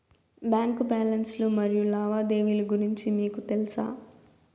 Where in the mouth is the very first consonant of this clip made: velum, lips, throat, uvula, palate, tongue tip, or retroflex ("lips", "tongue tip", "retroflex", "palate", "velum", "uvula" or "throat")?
lips